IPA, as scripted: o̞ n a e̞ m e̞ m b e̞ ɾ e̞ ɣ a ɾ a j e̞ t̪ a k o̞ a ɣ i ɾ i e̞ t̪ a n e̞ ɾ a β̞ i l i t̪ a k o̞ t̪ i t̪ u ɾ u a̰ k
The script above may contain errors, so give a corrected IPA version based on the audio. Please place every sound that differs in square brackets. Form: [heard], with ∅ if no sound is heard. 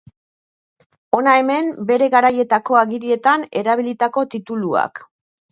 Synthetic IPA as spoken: o̞ n a e̞ m e̞ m b e̞ ɾ e̞ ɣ a ɾ a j e̞ t̪ a k o̞ a ɣ i ɾ i e̞ t̪ a n e̞ ɾ a β̞ i l i t̪ a k o̞ t̪ i t̪ u [l] u a̰ k

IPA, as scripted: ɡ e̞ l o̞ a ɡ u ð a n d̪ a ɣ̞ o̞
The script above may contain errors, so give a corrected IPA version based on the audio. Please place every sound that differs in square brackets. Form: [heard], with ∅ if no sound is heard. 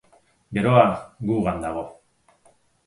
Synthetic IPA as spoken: ɡ e̞ [ɾ] o̞ a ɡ u [ɣ] a n d̪ a ɣ̞ o̞

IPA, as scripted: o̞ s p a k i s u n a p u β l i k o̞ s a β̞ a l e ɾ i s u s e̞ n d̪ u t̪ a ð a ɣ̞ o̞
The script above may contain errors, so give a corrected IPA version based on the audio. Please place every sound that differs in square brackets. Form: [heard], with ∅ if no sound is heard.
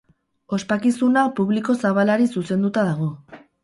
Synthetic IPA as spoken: o̞ s p a k i s u n a p u β l i k o̞ s a β̞ a l [a] ɾ i s u s e̞ n d̪ u t̪ a ð a ɣ̞ o̞

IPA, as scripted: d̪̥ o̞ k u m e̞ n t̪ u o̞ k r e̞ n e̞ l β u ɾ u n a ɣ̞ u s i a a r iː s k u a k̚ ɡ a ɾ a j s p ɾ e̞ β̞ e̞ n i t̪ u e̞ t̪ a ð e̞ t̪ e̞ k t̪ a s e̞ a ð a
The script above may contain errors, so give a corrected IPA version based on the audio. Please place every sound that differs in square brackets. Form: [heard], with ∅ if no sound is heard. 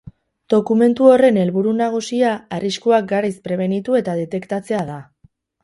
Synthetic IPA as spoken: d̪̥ o̞ k u m e̞ n t̪ u o̞ [∅] r e̞ n e̞ l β u ɾ u n a ɣ̞ u s i a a r [i] s k u a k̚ ɡ a ɾ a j s p ɾ e̞ β̞ e̞ n i t̪ u e̞ t̪ a ð e̞ t̪ e̞ k t̪ a [t͡s] e̞ a ð a

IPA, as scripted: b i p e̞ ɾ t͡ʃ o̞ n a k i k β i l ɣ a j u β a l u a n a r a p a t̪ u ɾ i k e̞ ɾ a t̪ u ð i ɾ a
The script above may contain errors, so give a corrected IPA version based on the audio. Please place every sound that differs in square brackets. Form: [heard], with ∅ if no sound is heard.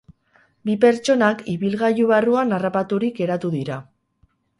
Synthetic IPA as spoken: b i p e̞ ɾ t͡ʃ o̞ n a k i [∅] β i l ɣ a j u β a [r] u a n a r a p a t̪ u ɾ i k e̞ ɾ a t̪ u ð i ɾ a

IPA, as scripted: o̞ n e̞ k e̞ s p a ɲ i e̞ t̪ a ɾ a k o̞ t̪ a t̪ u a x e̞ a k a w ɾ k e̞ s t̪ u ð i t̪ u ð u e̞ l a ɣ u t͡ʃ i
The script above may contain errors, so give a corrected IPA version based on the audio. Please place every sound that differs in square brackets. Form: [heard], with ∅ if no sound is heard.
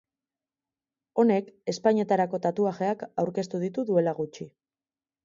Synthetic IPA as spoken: o̞ n e̞ k e̞ s p a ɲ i e̞ t̪ a ɾ a k o̞ t̪ a t̪ u a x e̞ a k a w ɾ k e̞ s t̪ u ð i t̪ u ð u e̞ l a ɣ u t͡ʃ i

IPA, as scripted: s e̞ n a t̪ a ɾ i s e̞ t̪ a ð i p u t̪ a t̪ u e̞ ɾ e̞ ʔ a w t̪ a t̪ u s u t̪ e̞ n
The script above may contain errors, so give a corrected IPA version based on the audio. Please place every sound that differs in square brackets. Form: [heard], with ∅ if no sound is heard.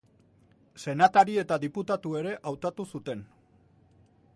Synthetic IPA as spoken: s e̞ n a t̪ a ɾ i [∅] e̞ t̪ a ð i p u t̪ a t̪ u e̞ ɾ e̞ ʔ a w t̪ a t̪ u s u t̪ e̞ n

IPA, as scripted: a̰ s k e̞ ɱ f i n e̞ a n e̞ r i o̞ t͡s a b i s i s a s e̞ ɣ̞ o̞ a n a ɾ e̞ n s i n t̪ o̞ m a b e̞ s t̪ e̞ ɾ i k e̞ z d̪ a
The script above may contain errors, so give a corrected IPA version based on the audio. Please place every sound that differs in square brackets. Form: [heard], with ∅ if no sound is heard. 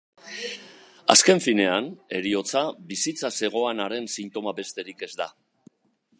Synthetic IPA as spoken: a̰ s k e̞ ɱ f i n e̞ a n e̞ [ɾ] i o̞ t͡s a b i s i [t͡s] a s e̞ ɣ̞ o̞ a n a ɾ e̞ n s i n t̪ o̞ m a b e̞ s t̪ e̞ ɾ i k e̞ z d̪ a

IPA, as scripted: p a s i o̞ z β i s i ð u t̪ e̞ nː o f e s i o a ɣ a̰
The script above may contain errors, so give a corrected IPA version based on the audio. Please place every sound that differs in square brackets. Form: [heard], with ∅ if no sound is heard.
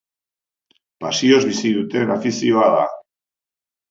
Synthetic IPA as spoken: p a s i o̞ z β i s i ð u t̪ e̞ [n] o f [i] s i o a [ð] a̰

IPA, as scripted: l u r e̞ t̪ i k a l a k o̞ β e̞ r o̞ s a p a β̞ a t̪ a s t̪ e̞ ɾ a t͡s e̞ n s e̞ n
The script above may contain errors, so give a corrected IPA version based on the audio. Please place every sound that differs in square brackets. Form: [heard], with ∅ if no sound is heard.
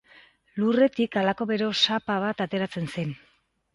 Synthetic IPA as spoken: l u r e̞ t̪ i k a l a k o̞ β e̞ [ɾ] o̞ s a p a β̞ a t̪ a [∅] t̪ e̞ ɾ a t͡s e̞ n s e̞ n

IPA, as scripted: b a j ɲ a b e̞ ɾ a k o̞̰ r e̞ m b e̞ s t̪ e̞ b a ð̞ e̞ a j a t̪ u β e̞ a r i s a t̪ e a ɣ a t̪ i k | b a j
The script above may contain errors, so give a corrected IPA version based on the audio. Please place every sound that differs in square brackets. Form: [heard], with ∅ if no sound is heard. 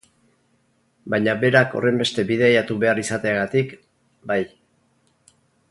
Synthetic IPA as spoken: b a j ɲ a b e̞ ɾ a k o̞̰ r e̞ m b e̞ s t̪ e̞ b [i] ð̞ e̞ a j a t̪ u β e̞ a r i s a t̪ e a ɣ a t̪ i k | b a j

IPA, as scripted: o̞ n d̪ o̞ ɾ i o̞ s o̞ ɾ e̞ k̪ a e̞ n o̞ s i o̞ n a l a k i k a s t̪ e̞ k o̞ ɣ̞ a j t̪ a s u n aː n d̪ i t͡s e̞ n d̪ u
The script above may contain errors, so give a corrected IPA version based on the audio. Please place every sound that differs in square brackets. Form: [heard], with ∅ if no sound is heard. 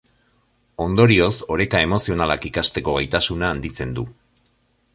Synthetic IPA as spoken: o̞ n d̪ o̞ ɾ i o̞ s o̞ ɾ e̞ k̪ a e̞ [m] o̞ s i o̞ n a l a k i k a s t̪ e̞ k o̞ ɣ̞ a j t̪ a s u n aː n d̪ i t͡s e̞ n d̪ u

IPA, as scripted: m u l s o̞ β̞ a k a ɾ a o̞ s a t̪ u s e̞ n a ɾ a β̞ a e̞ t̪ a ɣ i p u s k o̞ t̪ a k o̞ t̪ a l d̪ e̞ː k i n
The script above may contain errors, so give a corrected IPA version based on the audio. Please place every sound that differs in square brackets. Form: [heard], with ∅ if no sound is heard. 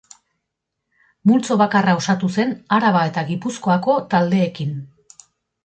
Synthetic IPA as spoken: m u l [t͡s] o̞ β̞ a k a [r] a o̞ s a t̪ u s e̞ n a ɾ a β̞ a e̞ t̪ a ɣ i p u s k o̞ [∅] a k o̞ t̪ a l d̪ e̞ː k i n

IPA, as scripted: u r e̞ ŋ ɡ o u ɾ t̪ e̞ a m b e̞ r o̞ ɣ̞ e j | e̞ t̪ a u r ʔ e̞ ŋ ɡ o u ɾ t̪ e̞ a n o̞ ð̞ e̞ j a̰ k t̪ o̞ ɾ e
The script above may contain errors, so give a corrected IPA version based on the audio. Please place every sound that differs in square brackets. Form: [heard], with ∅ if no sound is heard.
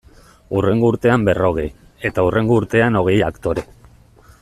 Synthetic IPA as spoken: u r e̞ ŋ ɡ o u ɾ t̪ e̞ a m b e̞ r o̞ ɣ̞ e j | e̞ t̪ a u r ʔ e̞ ŋ ɡ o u ɾ t̪ e̞ a n o̞ [ɣ̞] e̞ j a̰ k t̪ o̞ ɾ e

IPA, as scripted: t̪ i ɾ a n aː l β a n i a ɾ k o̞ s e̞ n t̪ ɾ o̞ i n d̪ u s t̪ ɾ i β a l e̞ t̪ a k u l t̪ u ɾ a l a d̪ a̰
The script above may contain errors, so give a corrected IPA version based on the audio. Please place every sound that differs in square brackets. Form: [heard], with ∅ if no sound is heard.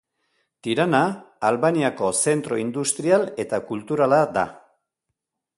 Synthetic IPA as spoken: t̪ i ɾ a n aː l β a n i a [∅] k o̞ s e̞ n t̪ ɾ o̞ i n d̪ u s t̪ ɾ i [∅] a l e̞ t̪ a k u l t̪ u ɾ a l a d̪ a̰

